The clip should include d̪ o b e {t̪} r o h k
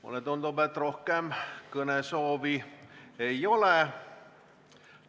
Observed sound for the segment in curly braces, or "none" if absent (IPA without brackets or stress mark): t̪